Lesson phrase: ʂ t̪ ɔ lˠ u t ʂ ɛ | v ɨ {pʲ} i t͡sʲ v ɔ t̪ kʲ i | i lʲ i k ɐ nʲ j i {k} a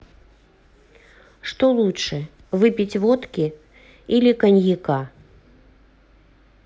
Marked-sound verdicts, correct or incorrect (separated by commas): correct, correct